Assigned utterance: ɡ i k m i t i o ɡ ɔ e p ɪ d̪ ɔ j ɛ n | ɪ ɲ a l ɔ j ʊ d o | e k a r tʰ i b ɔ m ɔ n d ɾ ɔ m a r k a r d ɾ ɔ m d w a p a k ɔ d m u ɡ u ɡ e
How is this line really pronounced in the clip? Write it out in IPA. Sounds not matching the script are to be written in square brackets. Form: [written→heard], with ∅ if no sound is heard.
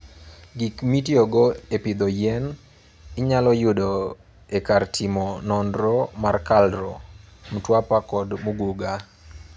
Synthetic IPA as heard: ɡ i k m i t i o ɡ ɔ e p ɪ d̪ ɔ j ɛ n | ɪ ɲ a l ɔ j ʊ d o | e k a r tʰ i [b→m] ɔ [m→n] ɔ n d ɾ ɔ m a r k a [r→l] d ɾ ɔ m [d→t] w a p a k ɔ d m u ɡ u ɡ [e→a]